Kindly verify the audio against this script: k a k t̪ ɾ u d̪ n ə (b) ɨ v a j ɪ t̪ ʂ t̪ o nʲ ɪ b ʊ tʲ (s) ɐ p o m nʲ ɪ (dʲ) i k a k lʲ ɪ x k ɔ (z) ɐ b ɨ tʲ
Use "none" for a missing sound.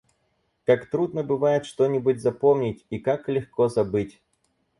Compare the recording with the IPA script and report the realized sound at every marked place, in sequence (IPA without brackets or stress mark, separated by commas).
b, z, tʲ, z